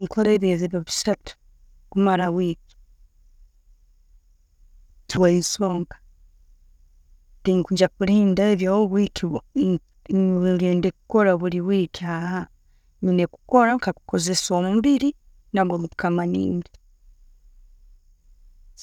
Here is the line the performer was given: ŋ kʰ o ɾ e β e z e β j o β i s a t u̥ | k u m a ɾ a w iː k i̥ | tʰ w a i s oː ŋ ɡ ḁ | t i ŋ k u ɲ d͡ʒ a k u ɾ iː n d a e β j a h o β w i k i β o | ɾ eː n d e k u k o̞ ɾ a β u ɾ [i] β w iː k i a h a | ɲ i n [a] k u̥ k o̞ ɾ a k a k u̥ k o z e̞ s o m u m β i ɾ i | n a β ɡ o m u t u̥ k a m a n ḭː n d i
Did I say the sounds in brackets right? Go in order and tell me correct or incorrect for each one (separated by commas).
correct, incorrect